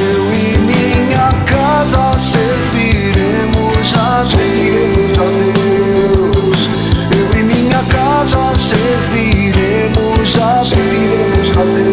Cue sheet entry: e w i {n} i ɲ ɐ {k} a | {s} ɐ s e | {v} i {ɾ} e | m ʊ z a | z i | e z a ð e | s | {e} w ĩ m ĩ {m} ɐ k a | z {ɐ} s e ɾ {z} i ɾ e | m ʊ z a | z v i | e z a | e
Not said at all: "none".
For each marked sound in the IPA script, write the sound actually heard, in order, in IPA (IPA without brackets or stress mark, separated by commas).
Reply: m, k, z, v, ɾ, e, ɲ, ɐ, v